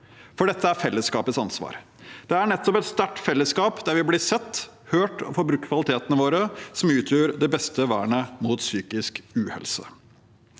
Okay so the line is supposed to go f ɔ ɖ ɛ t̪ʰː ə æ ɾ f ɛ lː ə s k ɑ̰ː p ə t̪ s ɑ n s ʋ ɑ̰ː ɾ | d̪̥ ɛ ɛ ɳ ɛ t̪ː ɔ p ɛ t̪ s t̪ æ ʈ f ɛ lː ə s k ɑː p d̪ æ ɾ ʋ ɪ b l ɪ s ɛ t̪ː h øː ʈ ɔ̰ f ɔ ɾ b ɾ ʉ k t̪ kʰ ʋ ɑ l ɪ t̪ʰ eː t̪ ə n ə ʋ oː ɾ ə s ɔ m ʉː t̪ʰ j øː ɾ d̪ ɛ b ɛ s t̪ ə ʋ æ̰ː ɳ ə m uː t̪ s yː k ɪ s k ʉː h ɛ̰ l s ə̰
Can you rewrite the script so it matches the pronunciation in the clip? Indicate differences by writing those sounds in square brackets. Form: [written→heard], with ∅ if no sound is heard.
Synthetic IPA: f ɔ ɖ ɛ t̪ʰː ə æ ɾ f ɛ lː ə s k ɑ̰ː p ə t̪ s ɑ n s ʋ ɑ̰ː ɾ | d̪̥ ɛ [ɛ→æ] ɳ ɛ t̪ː ɔ p ɛ t̪ s t̪ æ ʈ f ɛ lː ə s k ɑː p d̪ æ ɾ ʋ ɪ b l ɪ s ɛ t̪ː h øː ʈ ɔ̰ f ɔ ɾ b ɾ ʉ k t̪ kʰ ʋ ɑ l ɪ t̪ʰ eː t̪ ə n ə ʋ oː ɾ ə s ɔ m ʉː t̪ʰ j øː ɾ d̪ ɛ b ɛ s t̪ ə ʋ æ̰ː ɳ ə m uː t̪ s yː k ɪ s k ʉː h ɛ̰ l s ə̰